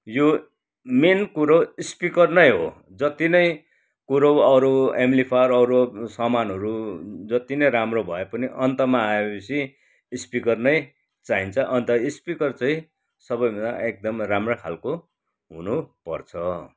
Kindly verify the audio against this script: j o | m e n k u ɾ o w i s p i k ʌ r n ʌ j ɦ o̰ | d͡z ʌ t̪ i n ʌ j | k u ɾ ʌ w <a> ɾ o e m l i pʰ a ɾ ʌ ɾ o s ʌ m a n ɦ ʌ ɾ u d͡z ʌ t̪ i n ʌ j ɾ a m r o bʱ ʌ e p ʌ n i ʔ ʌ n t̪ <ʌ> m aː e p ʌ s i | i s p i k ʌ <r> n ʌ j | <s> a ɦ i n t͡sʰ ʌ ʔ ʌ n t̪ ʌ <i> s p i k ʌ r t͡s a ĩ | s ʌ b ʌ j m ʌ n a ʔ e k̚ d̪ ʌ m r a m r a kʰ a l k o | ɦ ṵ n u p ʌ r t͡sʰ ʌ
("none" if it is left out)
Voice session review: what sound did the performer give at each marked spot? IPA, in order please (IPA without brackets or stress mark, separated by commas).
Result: ʌ, ʌ, r, t͡s, i